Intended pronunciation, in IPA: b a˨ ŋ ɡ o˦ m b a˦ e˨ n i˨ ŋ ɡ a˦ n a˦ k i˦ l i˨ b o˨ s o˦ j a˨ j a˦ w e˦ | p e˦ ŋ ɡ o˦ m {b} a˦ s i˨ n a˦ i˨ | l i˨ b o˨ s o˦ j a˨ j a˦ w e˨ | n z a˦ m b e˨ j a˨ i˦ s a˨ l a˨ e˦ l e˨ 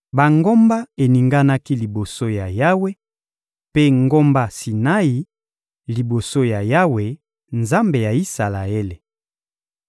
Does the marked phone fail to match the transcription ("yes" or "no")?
no